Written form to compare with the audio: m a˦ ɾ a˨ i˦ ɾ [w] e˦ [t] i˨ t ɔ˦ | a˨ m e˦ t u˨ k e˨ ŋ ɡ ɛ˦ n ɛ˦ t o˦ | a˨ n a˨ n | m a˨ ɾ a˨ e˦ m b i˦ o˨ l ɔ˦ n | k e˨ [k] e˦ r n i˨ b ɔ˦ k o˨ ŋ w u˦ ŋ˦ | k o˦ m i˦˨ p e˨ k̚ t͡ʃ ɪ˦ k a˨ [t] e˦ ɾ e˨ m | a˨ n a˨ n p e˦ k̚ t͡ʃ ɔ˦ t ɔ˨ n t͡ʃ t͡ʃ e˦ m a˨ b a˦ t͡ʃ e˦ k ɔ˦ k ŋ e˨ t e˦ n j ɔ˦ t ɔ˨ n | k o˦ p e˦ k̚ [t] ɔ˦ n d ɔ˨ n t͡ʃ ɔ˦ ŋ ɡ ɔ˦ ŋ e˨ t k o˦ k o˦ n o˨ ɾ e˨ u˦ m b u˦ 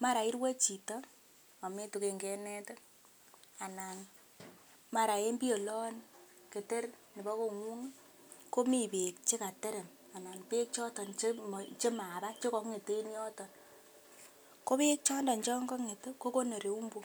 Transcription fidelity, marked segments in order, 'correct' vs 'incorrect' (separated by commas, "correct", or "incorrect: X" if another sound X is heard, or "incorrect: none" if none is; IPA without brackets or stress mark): correct, incorrect: t͡ʃ, incorrect: t, correct, incorrect: t͡ʃ